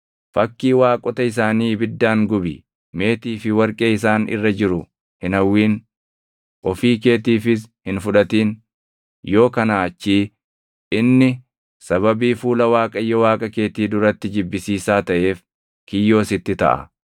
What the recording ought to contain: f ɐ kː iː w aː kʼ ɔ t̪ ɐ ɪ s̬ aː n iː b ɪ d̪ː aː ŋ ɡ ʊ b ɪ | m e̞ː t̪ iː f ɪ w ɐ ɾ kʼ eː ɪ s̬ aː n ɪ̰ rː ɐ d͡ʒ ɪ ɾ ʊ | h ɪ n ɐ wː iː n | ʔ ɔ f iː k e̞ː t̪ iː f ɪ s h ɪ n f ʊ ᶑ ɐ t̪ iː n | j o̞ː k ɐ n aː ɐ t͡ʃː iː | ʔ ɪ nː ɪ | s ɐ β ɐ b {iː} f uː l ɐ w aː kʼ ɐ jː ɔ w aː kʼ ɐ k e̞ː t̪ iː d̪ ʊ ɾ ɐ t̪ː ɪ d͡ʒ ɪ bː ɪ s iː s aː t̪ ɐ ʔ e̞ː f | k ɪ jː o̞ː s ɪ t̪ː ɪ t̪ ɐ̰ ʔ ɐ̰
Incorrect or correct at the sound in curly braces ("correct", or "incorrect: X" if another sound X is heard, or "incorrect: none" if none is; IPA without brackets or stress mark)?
correct